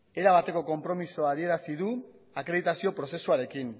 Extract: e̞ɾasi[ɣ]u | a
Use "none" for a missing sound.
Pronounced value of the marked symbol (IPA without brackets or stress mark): ð